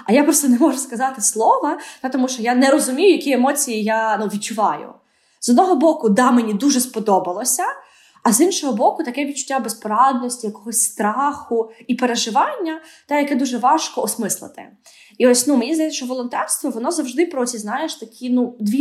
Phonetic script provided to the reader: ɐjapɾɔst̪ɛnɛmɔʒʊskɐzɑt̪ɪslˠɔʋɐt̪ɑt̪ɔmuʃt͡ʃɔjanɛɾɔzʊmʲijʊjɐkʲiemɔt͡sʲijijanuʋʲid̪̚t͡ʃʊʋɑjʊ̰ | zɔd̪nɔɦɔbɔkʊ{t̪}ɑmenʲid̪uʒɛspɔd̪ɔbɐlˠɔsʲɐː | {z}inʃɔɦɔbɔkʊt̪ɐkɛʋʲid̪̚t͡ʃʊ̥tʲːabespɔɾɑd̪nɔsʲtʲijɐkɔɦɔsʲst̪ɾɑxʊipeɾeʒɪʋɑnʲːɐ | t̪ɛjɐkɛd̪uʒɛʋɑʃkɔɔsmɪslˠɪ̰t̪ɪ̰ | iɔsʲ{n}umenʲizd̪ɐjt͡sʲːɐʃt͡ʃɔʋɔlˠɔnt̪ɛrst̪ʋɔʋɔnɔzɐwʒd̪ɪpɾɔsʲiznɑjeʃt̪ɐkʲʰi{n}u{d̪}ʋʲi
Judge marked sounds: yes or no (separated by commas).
no, yes, yes, yes, yes